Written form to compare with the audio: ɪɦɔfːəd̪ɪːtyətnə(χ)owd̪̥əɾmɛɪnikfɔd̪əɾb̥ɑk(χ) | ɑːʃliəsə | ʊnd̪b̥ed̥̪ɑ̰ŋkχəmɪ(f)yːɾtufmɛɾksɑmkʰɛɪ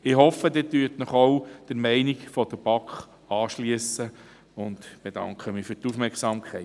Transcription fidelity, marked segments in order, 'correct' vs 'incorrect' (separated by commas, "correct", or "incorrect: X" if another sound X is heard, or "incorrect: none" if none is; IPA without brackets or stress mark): correct, correct, correct